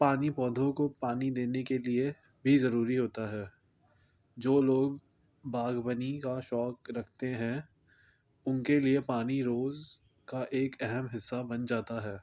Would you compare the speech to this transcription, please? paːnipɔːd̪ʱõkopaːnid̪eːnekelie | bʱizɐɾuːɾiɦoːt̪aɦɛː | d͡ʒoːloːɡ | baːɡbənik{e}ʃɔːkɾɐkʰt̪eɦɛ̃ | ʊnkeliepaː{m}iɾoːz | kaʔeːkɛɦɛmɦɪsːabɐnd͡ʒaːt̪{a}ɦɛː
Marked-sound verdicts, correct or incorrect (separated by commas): incorrect, incorrect, correct